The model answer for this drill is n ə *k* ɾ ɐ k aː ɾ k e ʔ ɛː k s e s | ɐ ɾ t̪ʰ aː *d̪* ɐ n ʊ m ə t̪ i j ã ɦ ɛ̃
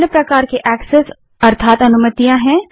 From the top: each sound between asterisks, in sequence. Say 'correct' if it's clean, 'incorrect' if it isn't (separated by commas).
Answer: incorrect, incorrect